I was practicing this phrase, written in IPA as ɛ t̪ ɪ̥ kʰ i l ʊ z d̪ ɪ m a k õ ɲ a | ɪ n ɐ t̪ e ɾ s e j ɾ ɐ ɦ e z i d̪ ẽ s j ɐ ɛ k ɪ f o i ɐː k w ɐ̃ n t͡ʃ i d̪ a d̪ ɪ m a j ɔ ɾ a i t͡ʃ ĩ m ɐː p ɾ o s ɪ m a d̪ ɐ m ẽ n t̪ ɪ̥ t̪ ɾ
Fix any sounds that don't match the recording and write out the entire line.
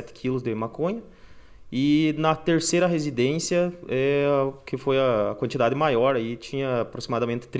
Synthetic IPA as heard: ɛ t̪ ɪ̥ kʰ i l ʊ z d̪ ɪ m a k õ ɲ ɐ | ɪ n ɐ t̪ e ɾ s e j ɾ ɐ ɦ e z i d̪ ẽ s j ɐ ɛ k ɪ f o j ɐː k w ɐ̃ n t͡ʃ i d̪ a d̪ ɪ m a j ɔ ɾ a i t͡ʃ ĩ ɲ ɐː p ɾ o s i m a d̪ ɐ m ẽ n t̪ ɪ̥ t̪ ɾ